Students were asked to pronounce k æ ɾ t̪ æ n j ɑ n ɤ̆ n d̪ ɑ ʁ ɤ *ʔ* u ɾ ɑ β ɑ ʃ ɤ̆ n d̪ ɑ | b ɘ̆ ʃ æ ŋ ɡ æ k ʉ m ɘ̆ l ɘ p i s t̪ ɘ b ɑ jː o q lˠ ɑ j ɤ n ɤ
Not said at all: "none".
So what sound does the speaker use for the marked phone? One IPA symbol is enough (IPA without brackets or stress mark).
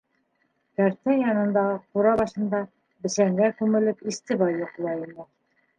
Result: q